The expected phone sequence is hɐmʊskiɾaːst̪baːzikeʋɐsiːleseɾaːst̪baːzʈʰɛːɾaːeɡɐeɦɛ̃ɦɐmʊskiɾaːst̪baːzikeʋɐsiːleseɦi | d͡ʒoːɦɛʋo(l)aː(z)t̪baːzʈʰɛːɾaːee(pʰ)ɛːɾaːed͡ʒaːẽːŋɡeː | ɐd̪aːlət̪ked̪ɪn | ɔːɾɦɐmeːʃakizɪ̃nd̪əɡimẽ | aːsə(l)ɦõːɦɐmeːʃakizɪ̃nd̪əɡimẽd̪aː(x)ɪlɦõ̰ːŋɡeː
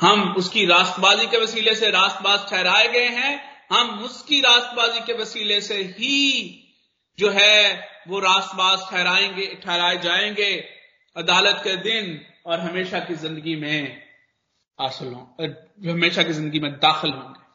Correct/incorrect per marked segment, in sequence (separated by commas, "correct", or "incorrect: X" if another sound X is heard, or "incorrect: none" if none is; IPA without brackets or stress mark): incorrect: ɾ, incorrect: s, incorrect: ʈʰ, correct, correct